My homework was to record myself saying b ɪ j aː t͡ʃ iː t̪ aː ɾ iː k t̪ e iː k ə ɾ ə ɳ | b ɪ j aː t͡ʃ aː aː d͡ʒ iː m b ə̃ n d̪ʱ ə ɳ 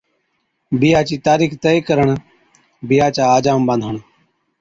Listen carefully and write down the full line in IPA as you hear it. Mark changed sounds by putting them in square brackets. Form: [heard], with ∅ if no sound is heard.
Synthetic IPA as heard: b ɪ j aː t͡ʃ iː t̪ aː ɾ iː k t̪ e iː k ə ɾ ə ɳ | b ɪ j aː t͡ʃ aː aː d͡ʒ [aː] m b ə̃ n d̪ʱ ə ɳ